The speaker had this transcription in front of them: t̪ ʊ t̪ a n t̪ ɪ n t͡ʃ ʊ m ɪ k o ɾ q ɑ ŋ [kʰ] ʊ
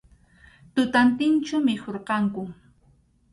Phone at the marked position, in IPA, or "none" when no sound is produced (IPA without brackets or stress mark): k